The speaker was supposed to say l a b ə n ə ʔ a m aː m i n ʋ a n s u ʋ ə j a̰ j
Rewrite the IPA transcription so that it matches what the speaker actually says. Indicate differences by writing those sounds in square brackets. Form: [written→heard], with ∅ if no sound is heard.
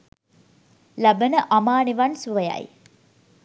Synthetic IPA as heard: l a b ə n ə ʔ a m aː [m→n] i [n→∅] ʋ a n s u ʋ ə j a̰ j